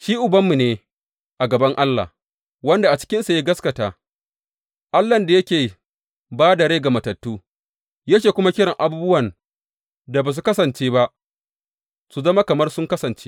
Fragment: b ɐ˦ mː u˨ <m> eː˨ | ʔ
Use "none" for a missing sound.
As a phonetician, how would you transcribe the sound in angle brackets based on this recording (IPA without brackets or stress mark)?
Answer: n